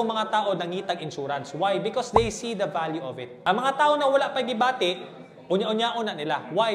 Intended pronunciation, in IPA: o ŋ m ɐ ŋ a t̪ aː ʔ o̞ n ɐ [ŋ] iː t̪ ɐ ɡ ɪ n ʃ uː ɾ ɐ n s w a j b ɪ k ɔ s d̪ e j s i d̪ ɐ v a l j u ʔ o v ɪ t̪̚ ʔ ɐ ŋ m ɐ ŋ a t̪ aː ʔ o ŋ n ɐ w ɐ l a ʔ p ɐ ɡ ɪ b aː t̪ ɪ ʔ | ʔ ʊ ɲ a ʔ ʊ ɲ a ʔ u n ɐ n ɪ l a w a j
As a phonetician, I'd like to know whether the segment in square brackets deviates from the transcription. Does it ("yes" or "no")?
no